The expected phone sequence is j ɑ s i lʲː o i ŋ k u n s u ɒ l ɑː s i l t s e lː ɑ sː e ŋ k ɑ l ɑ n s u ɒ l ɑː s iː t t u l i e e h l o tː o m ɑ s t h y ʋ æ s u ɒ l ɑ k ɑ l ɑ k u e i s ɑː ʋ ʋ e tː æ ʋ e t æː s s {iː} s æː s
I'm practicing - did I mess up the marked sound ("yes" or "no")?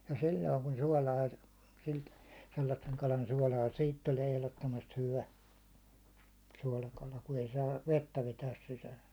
yes